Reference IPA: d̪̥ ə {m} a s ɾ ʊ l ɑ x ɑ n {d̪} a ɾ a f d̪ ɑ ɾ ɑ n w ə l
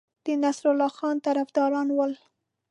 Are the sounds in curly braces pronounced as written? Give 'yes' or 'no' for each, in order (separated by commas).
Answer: no, no